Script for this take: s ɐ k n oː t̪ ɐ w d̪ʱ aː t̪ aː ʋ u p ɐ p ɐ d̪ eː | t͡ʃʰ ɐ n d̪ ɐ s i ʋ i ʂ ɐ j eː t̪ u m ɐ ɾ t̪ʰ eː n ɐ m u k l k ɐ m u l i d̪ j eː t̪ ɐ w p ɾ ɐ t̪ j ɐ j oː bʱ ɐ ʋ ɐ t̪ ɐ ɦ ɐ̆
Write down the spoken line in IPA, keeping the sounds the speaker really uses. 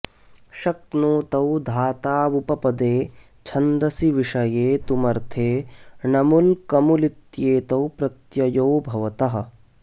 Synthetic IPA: ʃ ɐ k n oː t̪ ɐ w d̪ʱ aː t̪ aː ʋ u p ɐ p ɐ d̪ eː | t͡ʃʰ ɐ n d̪ ɐ s i ʋ i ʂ ɐ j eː t̪ u m ɐ ɾ t̪ʰ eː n ɐ m u l k ɐ m u l i t̪ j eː t̪ ɐ w p ɾ ɐ t̪ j ɐ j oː bʱ ɐ ʋ ɐ t̪ ɐ ɦ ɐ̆